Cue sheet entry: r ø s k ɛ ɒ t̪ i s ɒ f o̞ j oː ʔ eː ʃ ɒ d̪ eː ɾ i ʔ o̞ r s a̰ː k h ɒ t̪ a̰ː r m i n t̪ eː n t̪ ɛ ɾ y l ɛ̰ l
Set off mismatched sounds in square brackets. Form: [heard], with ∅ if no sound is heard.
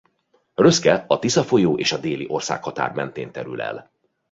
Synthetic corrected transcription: r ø s k ɛ ɒ t̪ i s ɒ f o̞ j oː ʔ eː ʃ ɒ d̪ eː [l] i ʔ o̞ r s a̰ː k h ɒ t̪ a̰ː r m [ɛ] n t̪ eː n t̪ ɛ ɾ y l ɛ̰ l